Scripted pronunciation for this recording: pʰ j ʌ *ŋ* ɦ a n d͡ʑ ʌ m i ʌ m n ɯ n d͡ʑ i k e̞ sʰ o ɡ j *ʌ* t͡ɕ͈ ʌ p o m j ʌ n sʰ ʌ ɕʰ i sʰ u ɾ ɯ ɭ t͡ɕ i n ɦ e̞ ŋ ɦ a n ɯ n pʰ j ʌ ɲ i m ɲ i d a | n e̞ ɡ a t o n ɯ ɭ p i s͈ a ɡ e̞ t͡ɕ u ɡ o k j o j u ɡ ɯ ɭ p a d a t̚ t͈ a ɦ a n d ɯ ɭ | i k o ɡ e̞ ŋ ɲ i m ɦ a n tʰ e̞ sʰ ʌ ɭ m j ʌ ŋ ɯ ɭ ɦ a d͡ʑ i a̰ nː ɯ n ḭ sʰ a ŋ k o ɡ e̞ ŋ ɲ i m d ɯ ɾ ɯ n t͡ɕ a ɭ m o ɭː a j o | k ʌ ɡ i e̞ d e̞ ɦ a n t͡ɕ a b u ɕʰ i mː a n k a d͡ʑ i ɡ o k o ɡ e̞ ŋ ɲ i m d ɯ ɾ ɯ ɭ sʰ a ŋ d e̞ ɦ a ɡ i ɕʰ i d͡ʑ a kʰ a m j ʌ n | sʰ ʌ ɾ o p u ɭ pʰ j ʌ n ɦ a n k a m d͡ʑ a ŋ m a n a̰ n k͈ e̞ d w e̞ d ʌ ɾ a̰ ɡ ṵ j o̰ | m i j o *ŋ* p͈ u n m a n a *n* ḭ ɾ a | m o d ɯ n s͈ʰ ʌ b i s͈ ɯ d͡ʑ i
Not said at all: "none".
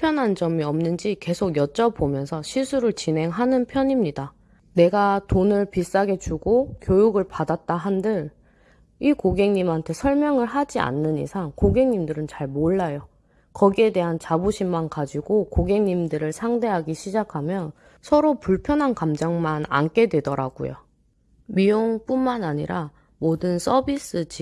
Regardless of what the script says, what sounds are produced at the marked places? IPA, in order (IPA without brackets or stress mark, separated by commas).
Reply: n, ʌ, ŋ, ɲ